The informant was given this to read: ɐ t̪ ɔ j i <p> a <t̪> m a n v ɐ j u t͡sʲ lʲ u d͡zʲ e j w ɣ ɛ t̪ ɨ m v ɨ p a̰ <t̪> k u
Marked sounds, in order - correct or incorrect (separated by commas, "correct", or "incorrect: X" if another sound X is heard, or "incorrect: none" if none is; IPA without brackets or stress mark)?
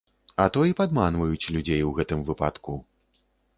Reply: correct, incorrect: d̪, correct